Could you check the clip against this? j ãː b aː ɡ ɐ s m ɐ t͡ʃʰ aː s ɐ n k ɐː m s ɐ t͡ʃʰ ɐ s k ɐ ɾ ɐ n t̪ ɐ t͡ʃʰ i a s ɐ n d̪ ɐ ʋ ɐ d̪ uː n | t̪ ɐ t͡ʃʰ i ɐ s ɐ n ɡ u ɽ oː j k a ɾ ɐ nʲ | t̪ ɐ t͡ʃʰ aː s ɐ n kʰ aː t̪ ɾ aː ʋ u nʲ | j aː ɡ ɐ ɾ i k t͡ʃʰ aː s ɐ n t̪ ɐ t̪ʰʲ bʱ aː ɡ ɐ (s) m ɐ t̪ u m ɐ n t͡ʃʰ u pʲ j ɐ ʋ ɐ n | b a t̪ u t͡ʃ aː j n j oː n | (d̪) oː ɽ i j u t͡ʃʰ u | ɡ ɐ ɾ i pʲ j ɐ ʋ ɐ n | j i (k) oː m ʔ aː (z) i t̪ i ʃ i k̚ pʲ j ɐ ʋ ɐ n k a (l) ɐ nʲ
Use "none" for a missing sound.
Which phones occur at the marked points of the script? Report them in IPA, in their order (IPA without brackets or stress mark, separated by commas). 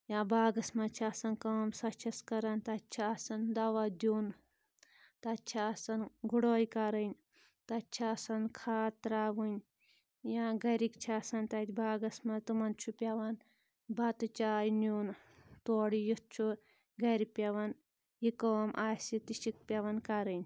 s, t̪, k, s, ɾ